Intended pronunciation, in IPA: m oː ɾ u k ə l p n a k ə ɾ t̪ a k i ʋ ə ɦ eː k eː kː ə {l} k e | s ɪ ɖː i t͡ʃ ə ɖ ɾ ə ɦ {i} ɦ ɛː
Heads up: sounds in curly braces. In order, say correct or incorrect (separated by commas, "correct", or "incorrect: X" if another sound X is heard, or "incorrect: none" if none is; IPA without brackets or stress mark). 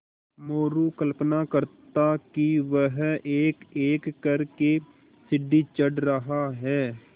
incorrect: ɾ, incorrect: a